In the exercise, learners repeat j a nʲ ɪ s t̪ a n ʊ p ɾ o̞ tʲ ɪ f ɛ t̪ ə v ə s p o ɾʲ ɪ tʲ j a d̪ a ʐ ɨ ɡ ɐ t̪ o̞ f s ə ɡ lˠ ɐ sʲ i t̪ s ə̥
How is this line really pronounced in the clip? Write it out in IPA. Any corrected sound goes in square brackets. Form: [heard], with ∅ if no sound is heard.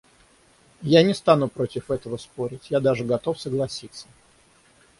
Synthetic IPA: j a nʲ ɪ s t̪ a n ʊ p ɾ o̞ tʲ ɪ f ɛ t̪ ə v ə s p o ɾʲ ɪ tʲ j a d̪ a ʐ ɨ ɡ ɐ t̪ o̞ f s ə ɡ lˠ ɐ sʲ i t̪ s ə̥

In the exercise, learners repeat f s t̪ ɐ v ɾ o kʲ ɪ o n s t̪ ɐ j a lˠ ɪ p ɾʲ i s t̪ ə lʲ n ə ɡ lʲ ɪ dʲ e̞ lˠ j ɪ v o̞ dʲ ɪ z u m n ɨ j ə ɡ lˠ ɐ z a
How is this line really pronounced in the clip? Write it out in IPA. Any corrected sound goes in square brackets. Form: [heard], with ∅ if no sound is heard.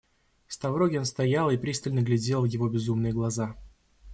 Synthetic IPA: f s t̪ ɐ v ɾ o [ɡʲ] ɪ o n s t̪ ɐ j a lˠ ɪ p ɾʲ i s t̪ ə lʲ n ə ɡ lʲ ɪ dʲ e̞ lˠ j ɪ v o̞ [bʲ] ɪ z u m n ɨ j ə ɡ lˠ ɐ z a

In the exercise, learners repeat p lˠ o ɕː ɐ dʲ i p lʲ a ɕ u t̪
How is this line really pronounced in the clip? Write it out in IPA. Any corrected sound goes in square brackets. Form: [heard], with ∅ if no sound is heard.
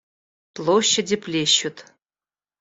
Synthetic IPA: p lˠ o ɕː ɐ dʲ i p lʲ [e] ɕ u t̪

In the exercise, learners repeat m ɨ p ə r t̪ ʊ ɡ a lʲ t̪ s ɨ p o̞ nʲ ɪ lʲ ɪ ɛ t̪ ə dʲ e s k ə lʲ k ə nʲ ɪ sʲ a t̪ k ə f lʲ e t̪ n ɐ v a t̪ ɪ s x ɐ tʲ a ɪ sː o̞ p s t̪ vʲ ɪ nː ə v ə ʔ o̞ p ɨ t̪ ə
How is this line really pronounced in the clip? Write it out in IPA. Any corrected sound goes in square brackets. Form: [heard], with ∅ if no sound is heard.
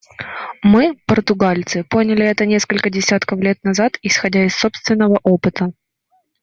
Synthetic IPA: m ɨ p ə r t̪ ʊ ɡ a lʲ t̪ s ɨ p o̞ nʲ ɪ lʲ ɪ ɛ t̪ ə [nʲ] e s k ə lʲ k ə [dʲ] ɪ sʲ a t̪ k ə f lʲ e t̪ n ɐ [z] a t̪ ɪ s x ɐ [dʲ] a ɪ sː o̞ p s t̪ vʲ ɪ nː ə v ə ʔ o̞ p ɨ t̪ ə

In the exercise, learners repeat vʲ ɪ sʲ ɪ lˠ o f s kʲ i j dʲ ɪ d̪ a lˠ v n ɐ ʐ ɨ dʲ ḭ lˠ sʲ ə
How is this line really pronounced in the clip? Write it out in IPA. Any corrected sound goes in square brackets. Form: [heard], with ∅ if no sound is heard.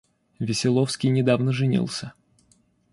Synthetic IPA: vʲ ɪ sʲ ɪ lˠ o f s kʲ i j [nʲ] ɪ d̪ a [∅] v n [ə] ʐ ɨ [nʲ] ḭ lˠ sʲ ə

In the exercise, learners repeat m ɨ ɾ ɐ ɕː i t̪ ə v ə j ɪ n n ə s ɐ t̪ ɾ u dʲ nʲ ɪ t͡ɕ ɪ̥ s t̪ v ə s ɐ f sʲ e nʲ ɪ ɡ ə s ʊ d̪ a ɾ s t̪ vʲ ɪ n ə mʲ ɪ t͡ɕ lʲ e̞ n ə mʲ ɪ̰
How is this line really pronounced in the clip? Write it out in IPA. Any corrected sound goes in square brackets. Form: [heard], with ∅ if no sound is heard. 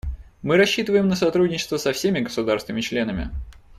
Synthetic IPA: m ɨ ɾ ɐ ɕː i t̪ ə v ə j ɪ [m] n ə s ɐ t̪ ɾ u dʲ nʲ ɪ t͡ɕ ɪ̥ s t̪ v ə s ɐ f sʲ e [mʲ] ɪ ɡ ə s ʊ d̪ a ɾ s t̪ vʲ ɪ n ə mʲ ɪ t͡ɕ lʲ e̞ n ə mʲ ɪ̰

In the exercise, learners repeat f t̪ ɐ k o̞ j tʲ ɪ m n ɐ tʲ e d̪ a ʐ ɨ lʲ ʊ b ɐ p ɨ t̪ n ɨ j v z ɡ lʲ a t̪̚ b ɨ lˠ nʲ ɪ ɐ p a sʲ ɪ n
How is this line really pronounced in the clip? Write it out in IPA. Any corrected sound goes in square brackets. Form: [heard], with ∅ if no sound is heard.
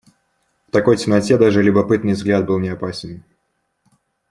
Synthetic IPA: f t̪ ɐ k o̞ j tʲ ɪ m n ɐ tʲ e d̪ a ʐ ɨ lʲ ʊ b ɐ p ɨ t̪ n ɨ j v z ɡ lʲ a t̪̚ b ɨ lˠ nʲ ɪ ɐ p a sʲ ɪ n

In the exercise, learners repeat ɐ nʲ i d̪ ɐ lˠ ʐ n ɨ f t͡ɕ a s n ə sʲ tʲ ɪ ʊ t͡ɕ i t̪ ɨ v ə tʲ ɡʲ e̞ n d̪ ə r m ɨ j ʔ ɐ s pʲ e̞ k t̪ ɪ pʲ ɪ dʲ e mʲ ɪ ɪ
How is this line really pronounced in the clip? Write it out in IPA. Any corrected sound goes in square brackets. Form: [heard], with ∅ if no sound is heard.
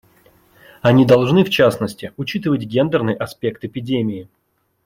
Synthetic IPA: ɐ nʲ i d̪ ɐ lˠ ʐ n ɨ f t͡ɕ a s n ə sʲ tʲ ɪ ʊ t͡ɕ i t̪ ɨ v ə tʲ ɡʲ e̞ n d̪ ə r [n] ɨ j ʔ ɐ s pʲ e̞ k t̪ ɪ pʲ ɪ dʲ e mʲ ɪ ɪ

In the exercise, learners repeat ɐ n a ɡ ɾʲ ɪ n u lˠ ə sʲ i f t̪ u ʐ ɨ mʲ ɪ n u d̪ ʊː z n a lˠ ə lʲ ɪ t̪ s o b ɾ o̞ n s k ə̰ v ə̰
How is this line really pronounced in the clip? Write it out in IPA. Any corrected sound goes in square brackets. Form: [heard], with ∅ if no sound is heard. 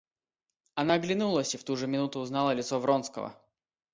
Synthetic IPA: ɐ n a ɡ [lʲ] ɪ n u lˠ ə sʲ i f t̪ u ʐ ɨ mʲ ɪ n u [t̪] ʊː z n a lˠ ə lʲ ɪ t̪ s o [v] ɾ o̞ n s k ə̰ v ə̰

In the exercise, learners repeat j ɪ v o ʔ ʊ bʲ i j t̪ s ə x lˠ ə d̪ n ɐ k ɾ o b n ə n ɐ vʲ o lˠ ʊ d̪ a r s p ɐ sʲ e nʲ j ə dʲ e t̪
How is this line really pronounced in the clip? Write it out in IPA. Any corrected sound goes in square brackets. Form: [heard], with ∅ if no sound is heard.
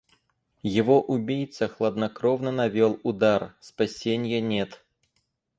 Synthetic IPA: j ɪ v o ʔ ʊ bʲ i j t̪ s ə x lˠ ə d̪ n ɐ k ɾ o [v] n ə n ɐ vʲ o lˠ ʊ d̪ a r s p ɐ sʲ e nʲ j ə [nʲ] e t̪

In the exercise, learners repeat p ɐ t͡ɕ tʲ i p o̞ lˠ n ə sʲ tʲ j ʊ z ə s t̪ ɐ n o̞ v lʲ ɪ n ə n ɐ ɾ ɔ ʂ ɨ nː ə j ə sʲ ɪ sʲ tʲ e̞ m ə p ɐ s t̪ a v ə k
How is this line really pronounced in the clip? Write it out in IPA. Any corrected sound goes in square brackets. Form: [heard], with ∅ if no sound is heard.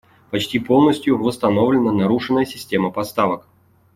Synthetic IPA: p ɐ t͡ɕ tʲ i p o̞ lˠ n ə sʲ tʲ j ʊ [v] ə s t̪ ɐ n o̞ v lʲ ɪ n ə n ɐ ɾ [u] ʂ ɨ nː ə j ə sʲ ɪ sʲ tʲ e̞ m ə p ɐ s t̪ a v ə k

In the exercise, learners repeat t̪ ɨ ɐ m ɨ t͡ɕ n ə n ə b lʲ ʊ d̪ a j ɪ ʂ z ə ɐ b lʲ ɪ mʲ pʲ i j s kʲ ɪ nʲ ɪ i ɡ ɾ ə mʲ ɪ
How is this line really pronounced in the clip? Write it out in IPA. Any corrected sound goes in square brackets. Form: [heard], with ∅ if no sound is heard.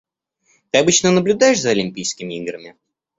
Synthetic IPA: t̪ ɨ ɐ [b] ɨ t͡ɕ n ə n ə b lʲ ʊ d̪ a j ɪ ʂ z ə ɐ [∅] lʲ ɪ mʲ pʲ i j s kʲ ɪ [mʲ] ɪ i ɡ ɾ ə mʲ ɪ

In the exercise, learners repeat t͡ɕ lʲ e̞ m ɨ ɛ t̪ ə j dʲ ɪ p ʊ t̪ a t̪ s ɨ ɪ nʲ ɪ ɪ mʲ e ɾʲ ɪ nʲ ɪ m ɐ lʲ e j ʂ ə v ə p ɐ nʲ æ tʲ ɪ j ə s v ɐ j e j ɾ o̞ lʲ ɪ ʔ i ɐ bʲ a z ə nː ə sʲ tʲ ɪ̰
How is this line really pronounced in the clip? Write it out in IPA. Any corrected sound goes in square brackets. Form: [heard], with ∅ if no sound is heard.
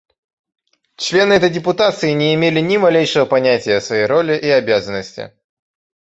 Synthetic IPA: t͡ɕ lʲ e̞ [n] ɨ ɛ t̪ ə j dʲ ɪ p ʊ t̪ a t̪ s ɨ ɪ nʲ ɪ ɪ mʲ e [lʲ] ɪ nʲ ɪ m ɐ lʲ e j ʂ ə v ə p ɐ nʲ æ tʲ ɪ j ə s v ɐ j e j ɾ o̞ lʲ ɪ ʔ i ɐ bʲ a z ə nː ə sʲ tʲ ɪ̰

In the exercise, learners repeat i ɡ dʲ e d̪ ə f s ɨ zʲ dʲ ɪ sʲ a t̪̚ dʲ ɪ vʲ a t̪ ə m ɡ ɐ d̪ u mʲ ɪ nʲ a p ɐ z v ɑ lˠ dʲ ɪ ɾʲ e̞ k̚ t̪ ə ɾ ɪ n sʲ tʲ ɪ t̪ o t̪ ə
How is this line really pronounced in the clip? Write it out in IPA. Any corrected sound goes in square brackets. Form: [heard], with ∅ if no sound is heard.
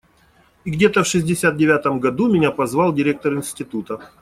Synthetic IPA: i ɡ dʲ e [t̪] ə f [ʂ] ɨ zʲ dʲ ɪ sʲ a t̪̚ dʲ ɪ vʲ a t̪ ə m ɡ ɐ d̪ u mʲ ɪ nʲ a p ɐ z v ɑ lˠ dʲ ɪ ɾʲ e̞ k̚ t̪ ə ɾ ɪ n sʲ tʲ ɪ t̪ [u] t̪ ə

